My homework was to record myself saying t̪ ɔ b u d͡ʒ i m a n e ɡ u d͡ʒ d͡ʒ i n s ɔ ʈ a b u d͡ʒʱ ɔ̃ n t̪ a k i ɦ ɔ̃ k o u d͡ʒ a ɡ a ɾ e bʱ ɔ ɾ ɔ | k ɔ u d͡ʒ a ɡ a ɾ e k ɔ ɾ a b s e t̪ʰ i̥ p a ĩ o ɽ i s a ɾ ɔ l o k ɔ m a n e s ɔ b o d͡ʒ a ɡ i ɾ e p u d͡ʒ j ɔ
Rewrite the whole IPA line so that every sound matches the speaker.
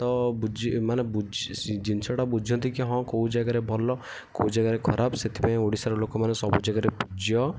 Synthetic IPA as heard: t̪ ɔ b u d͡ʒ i m a n e b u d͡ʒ d͡ʒ i n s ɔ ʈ a b u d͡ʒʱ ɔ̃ n t̪ i k i ɦ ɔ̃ k o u d͡ʒ a ɡ a ɾ e bʱ ɔ l ɔ | k o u d͡ʒ a ɡ a ɾ e kʰ ɔ ɾ a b s e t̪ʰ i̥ p a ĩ o ɽ i s a ɾ ɔ l o k ɔ m a n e s ɔ b u d͡ʒ a ɡ a ɾ e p u d͡ʒ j ɔ